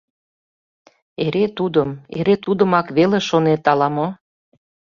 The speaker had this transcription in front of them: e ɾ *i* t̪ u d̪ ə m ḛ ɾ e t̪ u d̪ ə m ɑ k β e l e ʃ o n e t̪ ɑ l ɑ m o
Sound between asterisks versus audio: incorrect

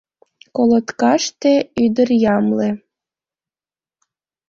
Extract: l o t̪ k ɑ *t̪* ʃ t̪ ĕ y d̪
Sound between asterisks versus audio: incorrect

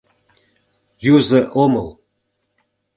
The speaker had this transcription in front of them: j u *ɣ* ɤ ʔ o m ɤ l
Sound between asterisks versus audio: incorrect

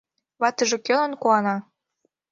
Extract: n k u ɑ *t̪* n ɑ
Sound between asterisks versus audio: incorrect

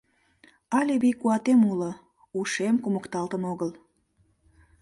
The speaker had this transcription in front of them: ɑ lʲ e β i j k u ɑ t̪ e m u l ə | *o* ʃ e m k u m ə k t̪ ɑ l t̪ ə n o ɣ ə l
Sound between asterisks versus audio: incorrect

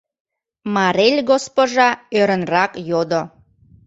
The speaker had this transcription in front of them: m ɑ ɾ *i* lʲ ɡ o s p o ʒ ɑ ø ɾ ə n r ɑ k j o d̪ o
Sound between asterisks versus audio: incorrect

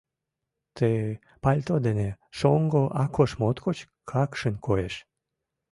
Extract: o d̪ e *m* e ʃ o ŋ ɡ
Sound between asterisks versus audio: incorrect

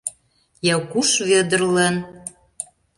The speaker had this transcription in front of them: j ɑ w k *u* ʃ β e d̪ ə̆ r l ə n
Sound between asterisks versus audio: correct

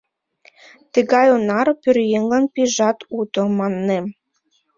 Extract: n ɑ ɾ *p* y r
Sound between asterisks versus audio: correct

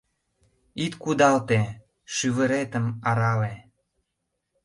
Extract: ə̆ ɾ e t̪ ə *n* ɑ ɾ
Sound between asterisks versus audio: incorrect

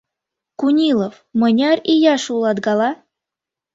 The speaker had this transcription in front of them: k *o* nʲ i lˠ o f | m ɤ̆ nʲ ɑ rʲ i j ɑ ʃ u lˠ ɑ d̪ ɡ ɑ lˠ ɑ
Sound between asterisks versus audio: incorrect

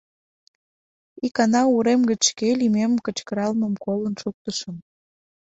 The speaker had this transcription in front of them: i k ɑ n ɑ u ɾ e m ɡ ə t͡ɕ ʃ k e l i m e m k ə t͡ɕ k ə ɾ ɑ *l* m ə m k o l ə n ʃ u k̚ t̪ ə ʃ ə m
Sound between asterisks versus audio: correct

